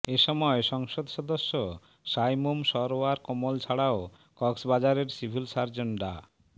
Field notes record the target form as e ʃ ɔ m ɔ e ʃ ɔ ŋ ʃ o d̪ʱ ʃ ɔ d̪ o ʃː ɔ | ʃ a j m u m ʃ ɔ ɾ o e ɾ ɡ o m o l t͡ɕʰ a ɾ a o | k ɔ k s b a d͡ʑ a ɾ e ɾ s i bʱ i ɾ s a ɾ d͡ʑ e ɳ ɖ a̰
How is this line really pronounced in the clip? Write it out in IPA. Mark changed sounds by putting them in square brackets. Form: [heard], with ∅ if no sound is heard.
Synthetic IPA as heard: e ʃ ɔ m ɔ e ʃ ɔ ŋ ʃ o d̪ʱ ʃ ɔ d̪ o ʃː [o] | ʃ a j m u m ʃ ɔ ɾ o [a] ɾ [k] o m o l t͡ɕʰ a [ɽ] a o | k ɔ k s b a d͡ʑ a ɾ e ɾ s i bʱ i [l] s a ɾ d͡ʑ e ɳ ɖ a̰